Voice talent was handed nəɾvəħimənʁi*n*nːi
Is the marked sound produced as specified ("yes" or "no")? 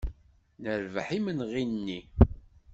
yes